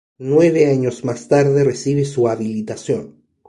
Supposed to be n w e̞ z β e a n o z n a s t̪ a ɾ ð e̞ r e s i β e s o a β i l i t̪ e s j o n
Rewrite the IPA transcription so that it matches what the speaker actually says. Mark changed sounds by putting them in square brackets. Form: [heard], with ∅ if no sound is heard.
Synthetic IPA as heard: n w e̞ [∅] β e a [ɲ] o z [m] a s t̪ a ɾ ð e̞ r e s i β e s [u] a β i l i t̪ [a] s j o n